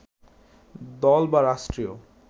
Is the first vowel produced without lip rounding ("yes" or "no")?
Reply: no